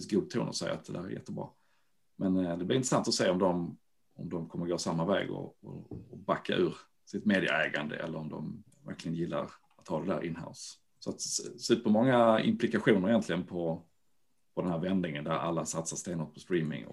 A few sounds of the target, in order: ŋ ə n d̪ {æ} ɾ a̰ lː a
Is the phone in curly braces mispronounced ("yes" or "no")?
no